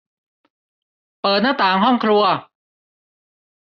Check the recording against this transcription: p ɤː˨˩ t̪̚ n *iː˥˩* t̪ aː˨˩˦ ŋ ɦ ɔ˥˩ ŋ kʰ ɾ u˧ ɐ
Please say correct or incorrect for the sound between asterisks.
incorrect